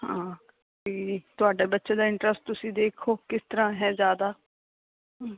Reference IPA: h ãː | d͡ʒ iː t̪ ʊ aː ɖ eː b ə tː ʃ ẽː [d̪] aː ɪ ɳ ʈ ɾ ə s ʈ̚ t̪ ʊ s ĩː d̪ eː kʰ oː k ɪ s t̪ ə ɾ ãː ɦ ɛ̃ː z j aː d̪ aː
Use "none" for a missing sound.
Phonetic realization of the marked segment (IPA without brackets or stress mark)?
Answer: d̪